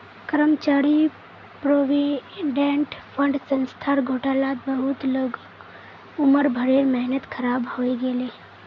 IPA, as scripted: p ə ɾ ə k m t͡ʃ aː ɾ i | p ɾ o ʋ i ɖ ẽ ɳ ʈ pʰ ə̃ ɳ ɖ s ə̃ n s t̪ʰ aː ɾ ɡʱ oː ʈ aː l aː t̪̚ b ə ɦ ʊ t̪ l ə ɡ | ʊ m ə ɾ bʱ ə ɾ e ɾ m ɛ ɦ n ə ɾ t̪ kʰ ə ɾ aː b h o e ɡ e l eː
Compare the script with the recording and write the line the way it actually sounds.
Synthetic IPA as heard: k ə ɾ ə m t͡ʃ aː ɾ i | p ɾ o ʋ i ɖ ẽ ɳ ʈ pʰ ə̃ ɳ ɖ s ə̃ n s t̪ʰ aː ɾ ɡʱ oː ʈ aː l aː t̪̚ b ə ɦ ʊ t̪ l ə ɡ | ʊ m ə ɾ bʱ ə ɾ e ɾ m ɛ ɦ n ə t̪ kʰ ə ɾ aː b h o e ɡ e l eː